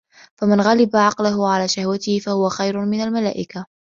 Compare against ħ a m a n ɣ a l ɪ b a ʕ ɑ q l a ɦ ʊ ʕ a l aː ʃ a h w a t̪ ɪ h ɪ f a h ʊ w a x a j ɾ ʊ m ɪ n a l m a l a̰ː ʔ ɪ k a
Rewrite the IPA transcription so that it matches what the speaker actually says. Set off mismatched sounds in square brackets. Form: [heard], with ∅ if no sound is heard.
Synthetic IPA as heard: [f] a m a n ɣ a l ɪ b a ʕ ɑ q l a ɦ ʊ ʕ a l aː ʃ a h w a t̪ ɪ h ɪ f a h ʊ w a x a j ɾ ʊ m ɪ n a l m a l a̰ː ʔ ɪ k a